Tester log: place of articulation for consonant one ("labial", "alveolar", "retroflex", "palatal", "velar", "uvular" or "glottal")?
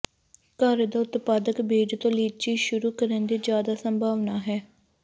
velar